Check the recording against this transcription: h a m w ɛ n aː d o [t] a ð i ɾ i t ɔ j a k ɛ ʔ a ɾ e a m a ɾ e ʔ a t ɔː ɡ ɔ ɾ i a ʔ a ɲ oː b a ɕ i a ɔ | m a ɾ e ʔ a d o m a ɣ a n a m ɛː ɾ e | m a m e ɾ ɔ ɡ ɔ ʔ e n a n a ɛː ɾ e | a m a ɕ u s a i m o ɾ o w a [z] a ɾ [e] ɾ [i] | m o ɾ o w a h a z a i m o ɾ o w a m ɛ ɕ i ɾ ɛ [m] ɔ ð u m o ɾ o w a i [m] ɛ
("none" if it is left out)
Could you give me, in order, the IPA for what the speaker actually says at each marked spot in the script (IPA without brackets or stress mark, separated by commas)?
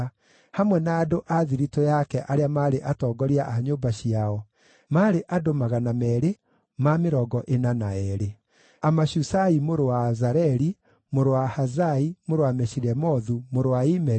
ʔ, z, ɛ, i, m, m